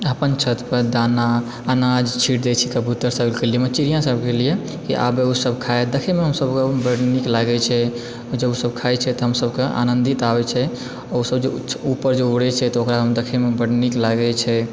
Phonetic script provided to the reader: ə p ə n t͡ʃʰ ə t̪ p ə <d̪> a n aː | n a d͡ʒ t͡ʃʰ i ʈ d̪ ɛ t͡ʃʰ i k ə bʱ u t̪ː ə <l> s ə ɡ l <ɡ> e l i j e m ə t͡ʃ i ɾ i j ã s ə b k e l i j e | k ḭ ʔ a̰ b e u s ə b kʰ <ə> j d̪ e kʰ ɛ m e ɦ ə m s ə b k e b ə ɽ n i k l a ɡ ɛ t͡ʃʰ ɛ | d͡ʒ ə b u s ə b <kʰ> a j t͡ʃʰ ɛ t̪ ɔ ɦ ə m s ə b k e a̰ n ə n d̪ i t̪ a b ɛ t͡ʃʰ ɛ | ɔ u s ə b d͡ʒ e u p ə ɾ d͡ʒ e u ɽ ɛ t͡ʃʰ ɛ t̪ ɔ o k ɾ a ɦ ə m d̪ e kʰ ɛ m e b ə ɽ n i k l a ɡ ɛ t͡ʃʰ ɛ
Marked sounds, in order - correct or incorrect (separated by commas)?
correct, incorrect, incorrect, incorrect, correct